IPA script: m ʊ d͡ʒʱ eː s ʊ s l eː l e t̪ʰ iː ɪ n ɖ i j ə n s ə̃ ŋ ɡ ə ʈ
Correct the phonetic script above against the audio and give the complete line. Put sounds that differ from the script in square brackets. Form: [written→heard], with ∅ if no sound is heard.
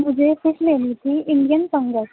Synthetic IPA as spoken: m ʊ d͡ʒʱ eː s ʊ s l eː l [e→i] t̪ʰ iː ɪ [n→ɳ] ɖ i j ə n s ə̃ ŋ ɡ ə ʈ